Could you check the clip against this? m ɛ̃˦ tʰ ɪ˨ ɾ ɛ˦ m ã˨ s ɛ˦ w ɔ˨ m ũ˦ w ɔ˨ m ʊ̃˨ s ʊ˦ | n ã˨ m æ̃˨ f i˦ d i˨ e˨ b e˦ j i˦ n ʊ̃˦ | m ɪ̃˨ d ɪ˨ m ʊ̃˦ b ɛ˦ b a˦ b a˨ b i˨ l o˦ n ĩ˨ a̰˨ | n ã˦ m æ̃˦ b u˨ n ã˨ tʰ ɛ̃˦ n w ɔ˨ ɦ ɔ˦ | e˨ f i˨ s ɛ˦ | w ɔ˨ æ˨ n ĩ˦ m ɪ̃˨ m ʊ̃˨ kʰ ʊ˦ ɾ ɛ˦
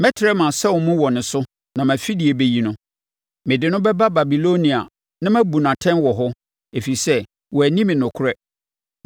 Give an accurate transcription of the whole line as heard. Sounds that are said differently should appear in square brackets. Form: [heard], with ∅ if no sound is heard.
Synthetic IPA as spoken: m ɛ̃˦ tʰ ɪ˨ ɾ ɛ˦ m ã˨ s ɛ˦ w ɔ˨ m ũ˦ w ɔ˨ [n] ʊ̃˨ s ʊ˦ | n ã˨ m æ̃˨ f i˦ d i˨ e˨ b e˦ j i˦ n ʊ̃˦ | m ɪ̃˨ d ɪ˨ [n] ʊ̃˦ b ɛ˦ b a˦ b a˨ b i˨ l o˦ n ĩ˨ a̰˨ | n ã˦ m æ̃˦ b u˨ n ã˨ tʰ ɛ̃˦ n w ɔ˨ ɦ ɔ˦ | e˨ f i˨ s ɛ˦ | w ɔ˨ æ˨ n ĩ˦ m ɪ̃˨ [n] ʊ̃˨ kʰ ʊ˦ ɾ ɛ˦

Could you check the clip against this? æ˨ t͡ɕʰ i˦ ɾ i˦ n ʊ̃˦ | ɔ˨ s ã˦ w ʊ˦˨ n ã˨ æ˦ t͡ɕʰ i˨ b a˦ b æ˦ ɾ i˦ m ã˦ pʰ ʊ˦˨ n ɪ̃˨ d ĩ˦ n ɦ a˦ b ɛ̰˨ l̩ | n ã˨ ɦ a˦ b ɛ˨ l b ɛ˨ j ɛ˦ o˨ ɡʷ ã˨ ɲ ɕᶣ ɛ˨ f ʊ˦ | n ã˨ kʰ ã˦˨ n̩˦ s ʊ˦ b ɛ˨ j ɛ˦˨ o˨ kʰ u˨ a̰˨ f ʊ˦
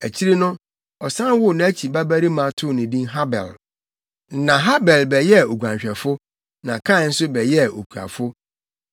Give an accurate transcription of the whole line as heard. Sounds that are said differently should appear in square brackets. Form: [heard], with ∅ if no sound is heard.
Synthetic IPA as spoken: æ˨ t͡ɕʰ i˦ ɾ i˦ n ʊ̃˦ | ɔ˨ s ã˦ w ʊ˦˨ n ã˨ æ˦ t͡ɕʰ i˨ b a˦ b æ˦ ɾ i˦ m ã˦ [tʰ] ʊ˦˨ n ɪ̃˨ d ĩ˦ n ɦ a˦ b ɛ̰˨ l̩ | n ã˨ ɦ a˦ b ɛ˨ l b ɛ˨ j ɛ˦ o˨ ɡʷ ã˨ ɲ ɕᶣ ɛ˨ f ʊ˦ | n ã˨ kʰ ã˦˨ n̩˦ s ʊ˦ b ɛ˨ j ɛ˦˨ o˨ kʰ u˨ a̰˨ f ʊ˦

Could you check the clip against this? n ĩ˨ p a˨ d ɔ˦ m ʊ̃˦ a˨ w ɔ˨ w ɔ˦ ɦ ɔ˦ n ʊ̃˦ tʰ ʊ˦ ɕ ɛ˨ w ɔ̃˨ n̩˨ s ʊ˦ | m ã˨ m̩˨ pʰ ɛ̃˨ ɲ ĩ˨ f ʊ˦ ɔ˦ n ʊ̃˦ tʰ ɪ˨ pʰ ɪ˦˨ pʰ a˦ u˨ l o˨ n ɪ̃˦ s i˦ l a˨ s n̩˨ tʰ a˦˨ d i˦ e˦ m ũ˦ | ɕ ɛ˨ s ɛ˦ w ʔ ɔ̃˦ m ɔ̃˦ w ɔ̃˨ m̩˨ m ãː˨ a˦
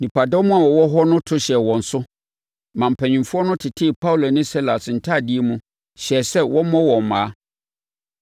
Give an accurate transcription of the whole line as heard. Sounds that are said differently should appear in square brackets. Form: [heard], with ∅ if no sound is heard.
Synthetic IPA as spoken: n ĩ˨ p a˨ d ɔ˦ m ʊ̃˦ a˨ w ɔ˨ w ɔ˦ ɦ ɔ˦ n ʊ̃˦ tʰ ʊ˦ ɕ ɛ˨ w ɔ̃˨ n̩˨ s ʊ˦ | m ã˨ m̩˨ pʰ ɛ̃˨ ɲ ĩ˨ f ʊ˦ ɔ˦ n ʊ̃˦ tʰ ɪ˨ [tʰ] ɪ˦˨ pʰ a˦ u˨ l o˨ n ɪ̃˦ s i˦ l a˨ s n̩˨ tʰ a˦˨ d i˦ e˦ m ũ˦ | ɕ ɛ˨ s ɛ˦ w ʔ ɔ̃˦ m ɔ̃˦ w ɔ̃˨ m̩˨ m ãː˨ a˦

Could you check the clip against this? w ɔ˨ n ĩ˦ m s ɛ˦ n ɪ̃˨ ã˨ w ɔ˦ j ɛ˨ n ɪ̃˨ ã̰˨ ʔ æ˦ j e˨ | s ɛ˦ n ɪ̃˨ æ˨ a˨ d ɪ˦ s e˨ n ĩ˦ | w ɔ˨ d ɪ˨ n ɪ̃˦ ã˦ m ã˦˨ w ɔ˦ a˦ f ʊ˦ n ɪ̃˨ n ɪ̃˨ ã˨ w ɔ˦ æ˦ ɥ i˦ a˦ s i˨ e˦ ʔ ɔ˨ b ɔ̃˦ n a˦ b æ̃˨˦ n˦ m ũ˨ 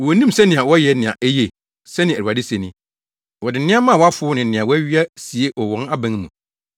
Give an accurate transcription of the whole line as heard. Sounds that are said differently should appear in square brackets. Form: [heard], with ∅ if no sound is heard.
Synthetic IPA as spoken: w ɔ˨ n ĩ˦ m s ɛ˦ n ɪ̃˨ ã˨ w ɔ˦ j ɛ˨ n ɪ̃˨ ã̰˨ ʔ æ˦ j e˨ | s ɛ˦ n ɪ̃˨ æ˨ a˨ d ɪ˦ s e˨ n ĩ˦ | w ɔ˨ d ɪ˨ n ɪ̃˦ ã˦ m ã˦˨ w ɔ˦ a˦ f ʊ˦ n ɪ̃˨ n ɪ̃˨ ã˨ w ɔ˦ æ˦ ɥ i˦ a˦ s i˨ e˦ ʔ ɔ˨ [w] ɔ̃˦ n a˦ b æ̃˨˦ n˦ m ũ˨

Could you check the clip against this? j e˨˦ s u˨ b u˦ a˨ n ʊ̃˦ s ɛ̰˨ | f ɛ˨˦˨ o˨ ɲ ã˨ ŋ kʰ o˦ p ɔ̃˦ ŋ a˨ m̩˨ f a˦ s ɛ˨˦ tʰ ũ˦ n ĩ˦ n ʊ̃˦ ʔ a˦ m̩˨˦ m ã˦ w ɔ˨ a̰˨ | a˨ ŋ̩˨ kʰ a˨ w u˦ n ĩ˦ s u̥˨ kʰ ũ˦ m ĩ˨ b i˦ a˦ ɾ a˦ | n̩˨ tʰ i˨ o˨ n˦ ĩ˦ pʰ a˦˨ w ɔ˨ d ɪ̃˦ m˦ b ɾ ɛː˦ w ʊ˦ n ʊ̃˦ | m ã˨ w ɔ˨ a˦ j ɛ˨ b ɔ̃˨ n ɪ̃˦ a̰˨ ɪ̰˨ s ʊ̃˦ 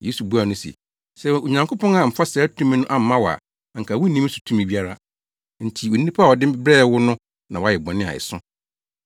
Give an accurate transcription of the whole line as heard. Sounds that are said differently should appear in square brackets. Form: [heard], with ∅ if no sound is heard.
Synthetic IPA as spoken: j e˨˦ s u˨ b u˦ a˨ n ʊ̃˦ s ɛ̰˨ | [s] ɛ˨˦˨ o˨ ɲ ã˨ ŋ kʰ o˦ p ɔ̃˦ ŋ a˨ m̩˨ f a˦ s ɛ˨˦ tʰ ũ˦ [m] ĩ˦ n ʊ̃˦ ʔ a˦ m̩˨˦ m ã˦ w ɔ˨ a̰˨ | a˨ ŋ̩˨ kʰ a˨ w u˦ n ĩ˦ s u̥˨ [tʰ] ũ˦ m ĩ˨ b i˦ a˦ ɾ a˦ | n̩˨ tʰ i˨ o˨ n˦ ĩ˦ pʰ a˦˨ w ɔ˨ d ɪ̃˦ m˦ b ɾ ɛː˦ w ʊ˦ n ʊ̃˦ | [n] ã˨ w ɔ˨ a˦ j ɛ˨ b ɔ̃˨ n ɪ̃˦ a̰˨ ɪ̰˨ s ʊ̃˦

